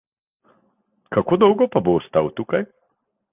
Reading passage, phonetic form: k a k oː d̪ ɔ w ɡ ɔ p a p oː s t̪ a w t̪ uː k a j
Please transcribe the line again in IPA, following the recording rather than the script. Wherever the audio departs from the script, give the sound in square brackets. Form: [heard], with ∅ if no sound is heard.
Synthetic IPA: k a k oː d̪ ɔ w ɡ ɔ p a [b] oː s t̪ a w t̪ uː k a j